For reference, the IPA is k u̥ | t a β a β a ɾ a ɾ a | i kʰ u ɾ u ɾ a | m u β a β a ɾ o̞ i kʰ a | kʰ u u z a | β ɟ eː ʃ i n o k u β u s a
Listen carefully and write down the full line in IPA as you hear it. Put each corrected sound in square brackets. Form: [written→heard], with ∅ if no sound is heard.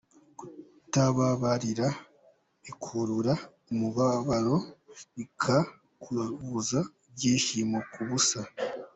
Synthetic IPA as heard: k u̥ | t a β a β a ɾ [a→i] ɾ a | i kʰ u ɾ u ɾ a | m u β a β a ɾ o̞ i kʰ a | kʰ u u z a | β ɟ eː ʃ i [n→m] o k u β u s a